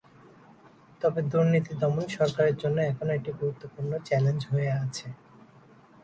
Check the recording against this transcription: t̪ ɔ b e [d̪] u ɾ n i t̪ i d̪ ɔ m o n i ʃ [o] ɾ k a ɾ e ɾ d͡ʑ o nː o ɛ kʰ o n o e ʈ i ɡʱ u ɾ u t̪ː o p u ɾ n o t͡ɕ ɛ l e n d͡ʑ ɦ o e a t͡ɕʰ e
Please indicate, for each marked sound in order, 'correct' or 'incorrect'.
correct, incorrect: ɔ

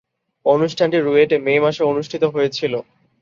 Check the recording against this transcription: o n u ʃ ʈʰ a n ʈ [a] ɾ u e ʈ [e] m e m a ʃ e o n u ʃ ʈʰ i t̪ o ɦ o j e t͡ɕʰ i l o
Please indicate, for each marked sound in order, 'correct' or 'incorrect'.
incorrect: i, correct

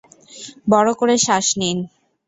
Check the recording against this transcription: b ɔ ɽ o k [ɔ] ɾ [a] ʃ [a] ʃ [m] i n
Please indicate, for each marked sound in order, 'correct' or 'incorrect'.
incorrect: o, incorrect: e, correct, incorrect: n

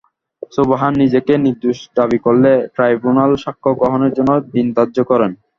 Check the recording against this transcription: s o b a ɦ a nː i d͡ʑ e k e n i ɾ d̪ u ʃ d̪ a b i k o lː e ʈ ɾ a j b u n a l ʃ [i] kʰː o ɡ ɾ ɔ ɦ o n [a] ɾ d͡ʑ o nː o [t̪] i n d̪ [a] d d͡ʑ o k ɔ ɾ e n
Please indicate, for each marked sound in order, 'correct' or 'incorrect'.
incorrect: a, incorrect: e, incorrect: d̪, correct

